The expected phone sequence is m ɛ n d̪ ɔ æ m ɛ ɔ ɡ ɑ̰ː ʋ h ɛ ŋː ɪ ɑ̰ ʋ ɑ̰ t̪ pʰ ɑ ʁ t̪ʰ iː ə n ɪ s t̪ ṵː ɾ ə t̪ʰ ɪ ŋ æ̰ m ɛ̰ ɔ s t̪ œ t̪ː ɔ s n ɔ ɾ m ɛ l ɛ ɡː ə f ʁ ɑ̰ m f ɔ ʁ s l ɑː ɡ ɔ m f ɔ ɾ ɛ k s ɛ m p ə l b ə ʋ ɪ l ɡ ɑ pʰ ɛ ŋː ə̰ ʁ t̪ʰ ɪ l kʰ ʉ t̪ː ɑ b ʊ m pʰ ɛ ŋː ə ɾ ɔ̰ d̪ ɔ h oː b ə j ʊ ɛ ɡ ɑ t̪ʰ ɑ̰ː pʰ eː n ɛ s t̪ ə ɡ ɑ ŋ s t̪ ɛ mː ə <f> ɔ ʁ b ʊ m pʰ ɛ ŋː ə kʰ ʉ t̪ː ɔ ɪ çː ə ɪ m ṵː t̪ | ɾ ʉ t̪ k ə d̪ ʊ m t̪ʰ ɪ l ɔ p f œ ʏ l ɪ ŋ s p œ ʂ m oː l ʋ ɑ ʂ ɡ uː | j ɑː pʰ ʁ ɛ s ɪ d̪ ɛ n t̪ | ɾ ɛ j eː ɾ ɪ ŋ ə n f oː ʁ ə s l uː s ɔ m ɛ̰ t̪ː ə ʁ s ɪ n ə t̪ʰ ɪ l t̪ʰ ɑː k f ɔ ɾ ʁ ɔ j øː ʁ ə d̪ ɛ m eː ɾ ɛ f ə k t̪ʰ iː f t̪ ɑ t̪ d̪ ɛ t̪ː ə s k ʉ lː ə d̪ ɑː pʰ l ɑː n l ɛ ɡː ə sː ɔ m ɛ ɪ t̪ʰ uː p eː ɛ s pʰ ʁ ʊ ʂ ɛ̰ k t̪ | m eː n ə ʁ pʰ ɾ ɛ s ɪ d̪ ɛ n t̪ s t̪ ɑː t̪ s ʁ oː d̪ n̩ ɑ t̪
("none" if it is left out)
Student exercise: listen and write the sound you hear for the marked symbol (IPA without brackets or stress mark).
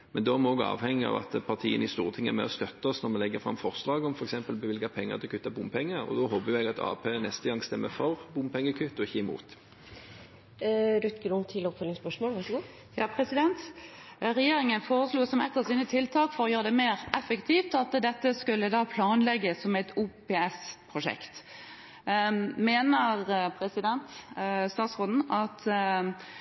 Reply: f